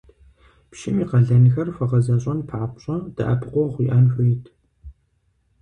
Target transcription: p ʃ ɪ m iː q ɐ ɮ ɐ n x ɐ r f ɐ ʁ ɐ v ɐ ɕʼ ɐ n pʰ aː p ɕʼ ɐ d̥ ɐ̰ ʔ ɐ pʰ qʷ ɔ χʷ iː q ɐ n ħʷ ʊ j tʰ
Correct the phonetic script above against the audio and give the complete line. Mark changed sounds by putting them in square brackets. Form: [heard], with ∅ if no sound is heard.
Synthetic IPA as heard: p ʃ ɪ m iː q ɐ ɮ ɐ n x ɐ r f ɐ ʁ ɐ [z] ɐ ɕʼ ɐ n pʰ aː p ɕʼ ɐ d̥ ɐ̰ ʔ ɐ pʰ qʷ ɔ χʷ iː [ʔ] ɐ n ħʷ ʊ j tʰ